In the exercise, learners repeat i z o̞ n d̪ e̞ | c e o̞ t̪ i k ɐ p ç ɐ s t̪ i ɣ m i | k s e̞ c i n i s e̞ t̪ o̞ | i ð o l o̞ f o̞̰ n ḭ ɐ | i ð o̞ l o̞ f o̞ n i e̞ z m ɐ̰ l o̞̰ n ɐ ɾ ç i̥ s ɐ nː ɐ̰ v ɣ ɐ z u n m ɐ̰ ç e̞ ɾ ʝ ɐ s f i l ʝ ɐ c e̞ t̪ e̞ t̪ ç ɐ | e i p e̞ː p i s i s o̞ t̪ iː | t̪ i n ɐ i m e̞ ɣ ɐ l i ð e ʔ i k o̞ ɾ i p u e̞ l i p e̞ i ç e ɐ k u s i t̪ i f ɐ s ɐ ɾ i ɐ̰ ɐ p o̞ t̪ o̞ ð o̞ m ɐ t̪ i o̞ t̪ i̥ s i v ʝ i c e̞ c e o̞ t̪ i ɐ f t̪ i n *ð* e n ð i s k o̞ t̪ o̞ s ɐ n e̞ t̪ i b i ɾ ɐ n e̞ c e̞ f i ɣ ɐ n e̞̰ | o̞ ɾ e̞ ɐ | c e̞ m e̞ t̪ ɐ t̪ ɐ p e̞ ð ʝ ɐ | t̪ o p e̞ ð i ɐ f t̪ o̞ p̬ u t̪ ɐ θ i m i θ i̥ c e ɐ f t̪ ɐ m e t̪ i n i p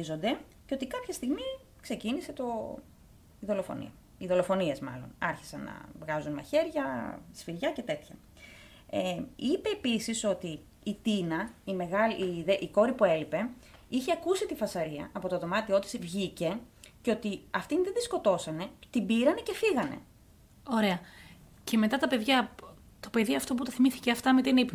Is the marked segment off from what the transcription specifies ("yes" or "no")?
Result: no